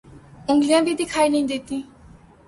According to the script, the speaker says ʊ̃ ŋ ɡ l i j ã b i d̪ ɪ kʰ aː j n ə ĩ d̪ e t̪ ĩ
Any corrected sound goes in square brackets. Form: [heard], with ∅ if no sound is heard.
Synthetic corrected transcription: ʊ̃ ŋ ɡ l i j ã b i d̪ [i] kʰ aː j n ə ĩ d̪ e t̪ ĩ

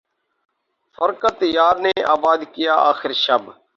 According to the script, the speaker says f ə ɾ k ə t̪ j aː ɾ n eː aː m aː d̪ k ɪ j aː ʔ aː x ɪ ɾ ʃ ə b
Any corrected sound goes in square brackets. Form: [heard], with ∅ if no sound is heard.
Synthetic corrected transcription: f ə ɾ k ə t̪ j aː ɾ n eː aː [b] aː d̪ k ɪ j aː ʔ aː x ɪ ɾ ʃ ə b

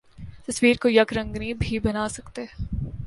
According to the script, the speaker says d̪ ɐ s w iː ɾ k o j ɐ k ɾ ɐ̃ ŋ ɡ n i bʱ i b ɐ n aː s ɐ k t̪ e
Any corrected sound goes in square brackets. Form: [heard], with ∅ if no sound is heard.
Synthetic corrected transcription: [t̪] ɐ s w iː ɾ k o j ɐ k ɾ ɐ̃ ŋ ɡ n i bʱ i b ɐ n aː s ɐ k t̪ e

